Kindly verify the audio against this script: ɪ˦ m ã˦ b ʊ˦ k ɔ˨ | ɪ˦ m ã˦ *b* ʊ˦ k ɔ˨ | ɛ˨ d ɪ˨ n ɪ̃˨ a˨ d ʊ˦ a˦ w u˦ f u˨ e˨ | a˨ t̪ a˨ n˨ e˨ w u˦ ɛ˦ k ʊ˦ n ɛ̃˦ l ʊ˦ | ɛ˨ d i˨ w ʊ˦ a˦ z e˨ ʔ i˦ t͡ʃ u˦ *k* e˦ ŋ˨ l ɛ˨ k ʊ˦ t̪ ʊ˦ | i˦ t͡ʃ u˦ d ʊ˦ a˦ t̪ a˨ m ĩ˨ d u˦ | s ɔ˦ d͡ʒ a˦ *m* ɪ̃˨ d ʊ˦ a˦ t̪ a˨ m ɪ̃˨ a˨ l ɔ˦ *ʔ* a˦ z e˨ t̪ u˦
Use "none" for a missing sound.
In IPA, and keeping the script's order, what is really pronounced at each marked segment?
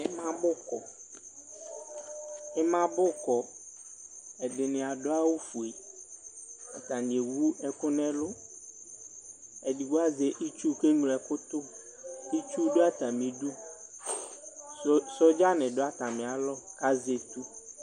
b, k, n, k

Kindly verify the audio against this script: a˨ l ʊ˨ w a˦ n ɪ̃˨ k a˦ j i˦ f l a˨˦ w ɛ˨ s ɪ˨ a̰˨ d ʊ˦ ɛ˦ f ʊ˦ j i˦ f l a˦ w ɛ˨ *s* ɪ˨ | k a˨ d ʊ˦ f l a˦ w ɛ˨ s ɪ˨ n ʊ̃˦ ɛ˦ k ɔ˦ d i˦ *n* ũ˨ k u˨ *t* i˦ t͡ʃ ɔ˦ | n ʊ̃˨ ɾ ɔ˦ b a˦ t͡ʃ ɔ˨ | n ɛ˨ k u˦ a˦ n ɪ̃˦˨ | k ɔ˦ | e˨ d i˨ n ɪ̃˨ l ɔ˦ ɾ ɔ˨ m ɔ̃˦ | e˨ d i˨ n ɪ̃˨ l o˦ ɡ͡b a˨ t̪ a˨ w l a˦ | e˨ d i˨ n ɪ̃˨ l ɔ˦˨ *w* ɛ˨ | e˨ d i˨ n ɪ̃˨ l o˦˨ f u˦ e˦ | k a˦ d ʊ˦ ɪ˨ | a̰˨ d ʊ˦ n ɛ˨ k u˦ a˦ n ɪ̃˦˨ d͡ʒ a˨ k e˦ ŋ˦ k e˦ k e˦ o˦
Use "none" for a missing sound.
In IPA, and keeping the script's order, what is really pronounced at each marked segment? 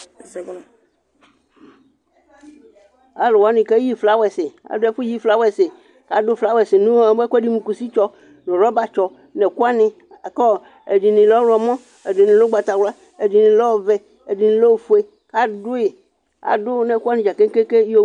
s, m, s, v

